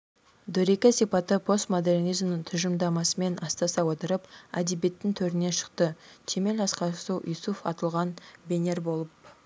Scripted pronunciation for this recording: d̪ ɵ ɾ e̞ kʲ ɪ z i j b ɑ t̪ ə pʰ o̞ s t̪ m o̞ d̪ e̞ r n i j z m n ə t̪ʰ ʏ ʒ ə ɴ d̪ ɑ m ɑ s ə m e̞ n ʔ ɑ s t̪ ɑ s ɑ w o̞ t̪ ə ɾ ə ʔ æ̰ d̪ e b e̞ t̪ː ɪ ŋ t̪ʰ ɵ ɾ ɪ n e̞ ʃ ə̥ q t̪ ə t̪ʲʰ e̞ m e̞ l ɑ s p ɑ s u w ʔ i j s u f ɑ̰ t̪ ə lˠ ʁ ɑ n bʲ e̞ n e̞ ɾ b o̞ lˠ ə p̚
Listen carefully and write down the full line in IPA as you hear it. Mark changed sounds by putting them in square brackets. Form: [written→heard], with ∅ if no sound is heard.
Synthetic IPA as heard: d̪ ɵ ɾ e̞ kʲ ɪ [z→s] i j [b→p] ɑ t̪ ə pʰ o̞ s t̪ m o̞ d̪ e̞ r n i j z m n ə t̪ʰ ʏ ʒ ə [ɴ→m] d̪ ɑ m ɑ s ə m e̞ n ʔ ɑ s t̪ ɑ s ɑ w o̞ t̪ ə ɾ ə [ʔ→p] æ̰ d̪ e b e̞ t̪ː ɪ ŋ t̪ʰ ɵ ɾ ɪ n e̞ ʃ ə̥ q t̪ ə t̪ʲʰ e̞ m e̞ l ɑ s [p→q] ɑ s u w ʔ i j s u f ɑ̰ t̪ ə lˠ ʁ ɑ n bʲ e̞ n e̞ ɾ b o̞ lˠ ə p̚

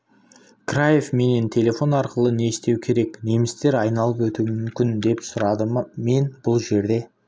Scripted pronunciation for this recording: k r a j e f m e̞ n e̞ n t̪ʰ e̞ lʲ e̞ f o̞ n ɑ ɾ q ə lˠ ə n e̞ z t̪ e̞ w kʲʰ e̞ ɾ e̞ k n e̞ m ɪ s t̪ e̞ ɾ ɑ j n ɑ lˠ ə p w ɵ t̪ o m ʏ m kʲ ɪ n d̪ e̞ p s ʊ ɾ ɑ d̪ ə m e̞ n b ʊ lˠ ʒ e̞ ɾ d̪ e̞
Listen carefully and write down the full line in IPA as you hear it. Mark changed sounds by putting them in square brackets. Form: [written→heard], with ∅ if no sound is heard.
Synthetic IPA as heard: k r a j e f m e̞ n e̞ n t̪ʰ e̞ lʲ e̞ f o̞ n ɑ ɾ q ə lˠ ə n e̞ [z→s] t̪ e̞ w kʲʰ e̞ ɾ e̞ k n e̞ m ɪ s t̪ e̞ ɾ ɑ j n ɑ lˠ ə p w ɵ t̪ [o→u] m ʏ m kʲ ɪ n d̪ e̞ p s ʊ ɾ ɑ d̪ ə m e̞ n b ʊ lˠ ʒ e̞ ɾ d̪ e̞

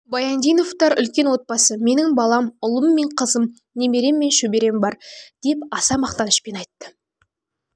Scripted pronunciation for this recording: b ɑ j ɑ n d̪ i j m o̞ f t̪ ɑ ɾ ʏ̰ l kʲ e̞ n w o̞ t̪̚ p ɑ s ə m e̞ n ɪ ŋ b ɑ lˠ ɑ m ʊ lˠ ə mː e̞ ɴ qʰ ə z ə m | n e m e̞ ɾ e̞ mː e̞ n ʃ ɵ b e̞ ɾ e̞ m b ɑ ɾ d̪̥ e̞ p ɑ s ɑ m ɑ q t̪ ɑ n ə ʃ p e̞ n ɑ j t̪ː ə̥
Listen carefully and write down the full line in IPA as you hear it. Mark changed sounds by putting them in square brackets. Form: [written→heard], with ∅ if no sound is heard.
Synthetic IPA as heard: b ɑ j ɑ n d̪ i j [m→n] o̞ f t̪ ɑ ɾ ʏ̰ l kʲ e̞ n w o̞ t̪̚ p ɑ s ə m e̞ n ɪ ŋ b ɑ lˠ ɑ m ʊ lˠ ə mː e̞ ɴ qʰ ə z ə m | n e m e̞ ɾ e̞ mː e̞ n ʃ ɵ b e̞ ɾ e̞ m b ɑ ɾ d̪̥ e̞ p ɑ s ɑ m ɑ q t̪ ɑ n ə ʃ p e̞ n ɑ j t̪ː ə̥

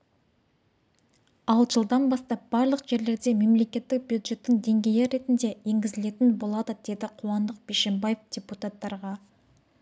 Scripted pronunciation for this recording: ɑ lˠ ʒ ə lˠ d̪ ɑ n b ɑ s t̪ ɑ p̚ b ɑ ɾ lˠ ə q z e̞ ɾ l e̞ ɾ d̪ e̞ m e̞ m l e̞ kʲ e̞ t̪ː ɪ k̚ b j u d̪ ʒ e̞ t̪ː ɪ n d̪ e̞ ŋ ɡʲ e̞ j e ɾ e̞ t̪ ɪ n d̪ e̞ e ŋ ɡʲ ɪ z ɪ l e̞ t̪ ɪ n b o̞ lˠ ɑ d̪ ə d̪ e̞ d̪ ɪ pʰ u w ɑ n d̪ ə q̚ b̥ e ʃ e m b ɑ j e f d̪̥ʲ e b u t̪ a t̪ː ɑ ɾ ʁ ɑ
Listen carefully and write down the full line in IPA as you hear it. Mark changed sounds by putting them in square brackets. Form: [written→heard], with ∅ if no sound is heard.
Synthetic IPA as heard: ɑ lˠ ʒ ə lˠ d̪ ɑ n b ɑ s t̪ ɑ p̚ b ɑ ɾ lˠ ə q [z→ʒ] e̞ ɾ l e̞ ɾ d̪ e̞ m e̞ m l e̞ kʲ e̞ t̪ː ɪ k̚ b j u d̪ ʒ e̞ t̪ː ɪ [n→ŋ] d̪ e̞ ŋ ɡʲ e̞ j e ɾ e̞ t̪ ɪ n d̪ e̞ e ŋ ɡʲ ɪ z ɪ l e̞ t̪ ɪ n b o̞ lˠ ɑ d̪ ə d̪ e̞ d̪ ɪ [pʰ→qʰ] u w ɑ n d̪ ə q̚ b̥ e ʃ e m b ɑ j e f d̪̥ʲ e [b→p] u t̪ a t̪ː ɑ ɾ ʁ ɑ

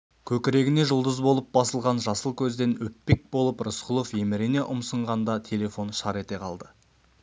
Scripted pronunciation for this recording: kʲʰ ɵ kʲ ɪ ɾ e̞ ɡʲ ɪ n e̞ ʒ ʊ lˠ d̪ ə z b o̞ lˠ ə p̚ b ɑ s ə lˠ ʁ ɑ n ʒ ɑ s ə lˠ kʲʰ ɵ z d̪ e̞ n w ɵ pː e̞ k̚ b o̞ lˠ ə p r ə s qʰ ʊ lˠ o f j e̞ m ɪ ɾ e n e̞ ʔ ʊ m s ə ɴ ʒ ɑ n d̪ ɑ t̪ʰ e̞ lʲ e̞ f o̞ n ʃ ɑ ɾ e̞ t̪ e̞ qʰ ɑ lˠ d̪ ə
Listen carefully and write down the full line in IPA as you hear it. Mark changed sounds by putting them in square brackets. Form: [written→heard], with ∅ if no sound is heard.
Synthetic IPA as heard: kʲʰ ɵ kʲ ɪ ɾ e̞ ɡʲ ɪ n e̞ ʒ ʊ lˠ d̪ ə z b o̞ lˠ ə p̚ b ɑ s ə lˠ ʁ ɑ n ʒ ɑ s ə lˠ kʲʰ ɵ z d̪ e̞ n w ɵ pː e̞ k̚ b o̞ lˠ ə p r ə s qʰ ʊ lˠ o f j e̞ m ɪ ɾ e n e̞ ʔ ʊ m s ə ɴ [ʒ→ʁ] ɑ n d̪ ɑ t̪ʰ e̞ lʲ e̞ f o̞ n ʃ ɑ ɾ e̞ t̪ e̞ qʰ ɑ lˠ d̪ ə

